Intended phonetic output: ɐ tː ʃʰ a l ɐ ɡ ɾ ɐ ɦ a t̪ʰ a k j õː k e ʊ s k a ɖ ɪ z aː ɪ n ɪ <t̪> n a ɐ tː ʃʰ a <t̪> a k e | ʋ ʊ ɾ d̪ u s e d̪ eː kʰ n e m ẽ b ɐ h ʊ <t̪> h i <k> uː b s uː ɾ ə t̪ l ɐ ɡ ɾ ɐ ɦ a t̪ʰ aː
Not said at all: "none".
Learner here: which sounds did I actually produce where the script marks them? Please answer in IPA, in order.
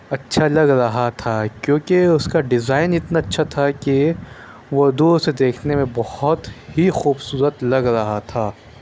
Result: t̪, t̪ʰ, t̪, x

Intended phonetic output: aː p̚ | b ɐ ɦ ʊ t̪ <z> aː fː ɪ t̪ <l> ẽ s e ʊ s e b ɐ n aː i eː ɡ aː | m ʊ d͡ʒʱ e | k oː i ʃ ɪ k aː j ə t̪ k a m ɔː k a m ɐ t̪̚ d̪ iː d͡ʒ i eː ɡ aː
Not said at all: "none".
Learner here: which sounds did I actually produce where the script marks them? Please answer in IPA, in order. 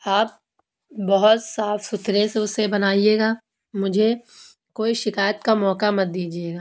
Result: s, ɾ

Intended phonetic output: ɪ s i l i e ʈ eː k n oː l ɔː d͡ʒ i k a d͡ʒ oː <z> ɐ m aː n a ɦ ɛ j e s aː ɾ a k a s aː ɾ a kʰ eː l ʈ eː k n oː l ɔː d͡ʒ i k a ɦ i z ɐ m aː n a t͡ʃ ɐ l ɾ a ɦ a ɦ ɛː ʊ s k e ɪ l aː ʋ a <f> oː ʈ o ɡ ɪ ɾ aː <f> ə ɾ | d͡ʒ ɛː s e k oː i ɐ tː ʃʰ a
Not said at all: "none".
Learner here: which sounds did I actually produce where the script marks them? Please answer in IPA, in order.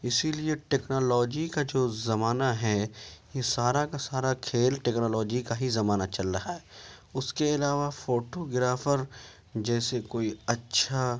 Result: z, f, f

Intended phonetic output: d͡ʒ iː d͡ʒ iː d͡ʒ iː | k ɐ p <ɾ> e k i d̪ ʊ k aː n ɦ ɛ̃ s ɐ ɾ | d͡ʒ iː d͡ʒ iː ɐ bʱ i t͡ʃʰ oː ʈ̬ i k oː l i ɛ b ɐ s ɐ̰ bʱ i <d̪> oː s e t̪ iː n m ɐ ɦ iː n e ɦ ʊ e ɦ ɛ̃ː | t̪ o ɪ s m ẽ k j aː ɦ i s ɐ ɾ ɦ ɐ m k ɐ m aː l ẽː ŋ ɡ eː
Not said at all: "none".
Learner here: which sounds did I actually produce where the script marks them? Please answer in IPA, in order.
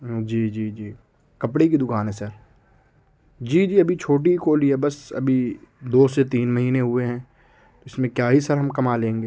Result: ɽ, d̪

